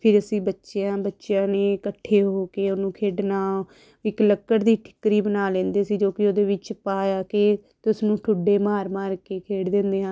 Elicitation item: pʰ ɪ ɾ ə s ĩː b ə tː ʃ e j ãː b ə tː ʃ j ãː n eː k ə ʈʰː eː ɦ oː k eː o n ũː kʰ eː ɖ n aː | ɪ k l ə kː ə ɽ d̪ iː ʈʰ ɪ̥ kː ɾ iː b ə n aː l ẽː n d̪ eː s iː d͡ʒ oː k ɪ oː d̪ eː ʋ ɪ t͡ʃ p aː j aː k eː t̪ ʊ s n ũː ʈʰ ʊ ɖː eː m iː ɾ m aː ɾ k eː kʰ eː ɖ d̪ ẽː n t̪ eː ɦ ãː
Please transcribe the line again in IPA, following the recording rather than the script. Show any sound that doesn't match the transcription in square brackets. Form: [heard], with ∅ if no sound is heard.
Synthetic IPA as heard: pʰ ɪ ɾ ə s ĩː b ə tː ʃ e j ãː b ə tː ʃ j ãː n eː k ə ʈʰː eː ɦ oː k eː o n ũː kʰ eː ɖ n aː | ɪ k l ə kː ə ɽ d̪ iː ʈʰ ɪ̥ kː ɾ iː b ə n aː l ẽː n d̪ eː s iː d͡ʒ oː k ɪ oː d̪ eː ʋ ɪ t͡ʃ p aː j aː k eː t̪ ʊ s n ũː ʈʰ ʊ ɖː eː m [aː] ɾ m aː ɾ k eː kʰ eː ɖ d̪ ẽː n [d̪] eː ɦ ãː